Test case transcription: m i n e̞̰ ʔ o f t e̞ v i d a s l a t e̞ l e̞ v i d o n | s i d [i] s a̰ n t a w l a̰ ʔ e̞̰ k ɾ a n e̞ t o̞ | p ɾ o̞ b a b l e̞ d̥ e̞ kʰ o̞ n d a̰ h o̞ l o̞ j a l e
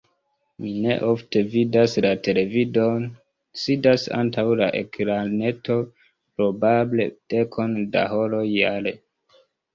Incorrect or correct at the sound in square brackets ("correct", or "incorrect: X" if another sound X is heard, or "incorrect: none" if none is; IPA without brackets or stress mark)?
incorrect: a